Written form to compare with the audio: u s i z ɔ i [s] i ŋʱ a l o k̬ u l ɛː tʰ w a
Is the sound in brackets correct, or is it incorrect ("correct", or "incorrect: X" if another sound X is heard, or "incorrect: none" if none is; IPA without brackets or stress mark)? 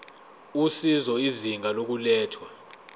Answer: incorrect: z